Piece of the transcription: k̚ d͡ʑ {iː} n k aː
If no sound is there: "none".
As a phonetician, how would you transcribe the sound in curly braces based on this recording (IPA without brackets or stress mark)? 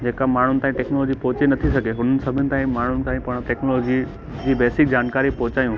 aː